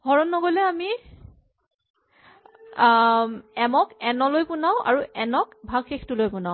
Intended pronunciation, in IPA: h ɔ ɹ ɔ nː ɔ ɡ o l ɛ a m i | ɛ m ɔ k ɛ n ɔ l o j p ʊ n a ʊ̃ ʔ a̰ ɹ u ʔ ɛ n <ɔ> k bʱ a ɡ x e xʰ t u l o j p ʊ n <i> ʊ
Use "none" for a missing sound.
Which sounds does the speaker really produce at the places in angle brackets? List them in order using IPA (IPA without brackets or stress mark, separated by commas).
ɔ, a